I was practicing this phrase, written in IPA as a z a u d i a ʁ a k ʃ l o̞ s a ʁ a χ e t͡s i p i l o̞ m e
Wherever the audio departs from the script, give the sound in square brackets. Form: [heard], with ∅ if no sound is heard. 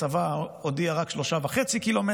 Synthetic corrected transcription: a [v] a [o] d i a ʁ a k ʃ l o̞ [ʃ] a [v] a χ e t͡s i [k] i l o̞ m e